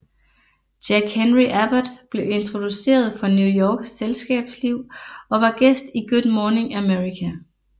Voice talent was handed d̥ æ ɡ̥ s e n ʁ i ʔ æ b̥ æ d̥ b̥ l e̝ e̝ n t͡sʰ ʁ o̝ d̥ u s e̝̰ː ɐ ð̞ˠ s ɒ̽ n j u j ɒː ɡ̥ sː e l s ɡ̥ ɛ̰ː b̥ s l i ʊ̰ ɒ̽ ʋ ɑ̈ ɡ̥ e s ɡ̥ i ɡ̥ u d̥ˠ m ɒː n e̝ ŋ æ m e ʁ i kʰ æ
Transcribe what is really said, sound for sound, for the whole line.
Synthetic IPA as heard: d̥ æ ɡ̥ h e n ʁ i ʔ æ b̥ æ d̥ b̥ l e̝ e̝ n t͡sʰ ʁ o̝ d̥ u s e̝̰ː ɐ ð̞ˠ f ɒ̽ n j u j ɒː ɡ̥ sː e l s ɡ̥ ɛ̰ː b̥ s l i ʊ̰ ɒ̽ ʋ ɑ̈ ɡ̥ e s d̥ i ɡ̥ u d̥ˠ m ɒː n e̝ ŋ æ m e ʁ i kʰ æ